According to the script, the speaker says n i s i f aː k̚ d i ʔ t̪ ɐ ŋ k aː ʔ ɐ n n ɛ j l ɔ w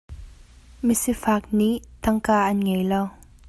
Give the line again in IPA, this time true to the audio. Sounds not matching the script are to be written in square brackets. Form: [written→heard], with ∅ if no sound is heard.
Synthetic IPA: [n→m] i s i f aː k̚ [d→n] i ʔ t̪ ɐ ŋ k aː ʔ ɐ n [n→ŋ] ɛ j l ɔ w